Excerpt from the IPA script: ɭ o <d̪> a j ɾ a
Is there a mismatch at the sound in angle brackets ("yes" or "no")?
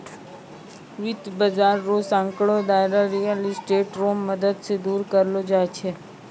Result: no